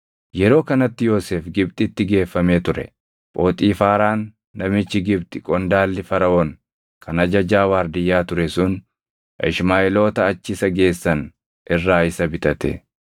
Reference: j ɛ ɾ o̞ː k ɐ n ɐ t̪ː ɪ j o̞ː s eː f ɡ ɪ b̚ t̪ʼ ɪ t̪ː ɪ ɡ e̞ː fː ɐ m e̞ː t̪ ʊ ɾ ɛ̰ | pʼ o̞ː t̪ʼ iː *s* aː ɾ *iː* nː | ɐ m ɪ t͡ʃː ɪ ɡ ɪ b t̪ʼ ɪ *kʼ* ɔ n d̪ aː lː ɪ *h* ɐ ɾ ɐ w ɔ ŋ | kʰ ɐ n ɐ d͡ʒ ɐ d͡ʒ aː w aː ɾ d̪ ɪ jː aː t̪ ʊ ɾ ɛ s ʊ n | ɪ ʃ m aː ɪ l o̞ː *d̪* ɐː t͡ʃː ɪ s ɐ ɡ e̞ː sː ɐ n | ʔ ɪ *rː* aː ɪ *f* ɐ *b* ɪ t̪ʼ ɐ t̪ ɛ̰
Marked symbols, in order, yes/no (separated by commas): no, no, yes, no, no, yes, no, yes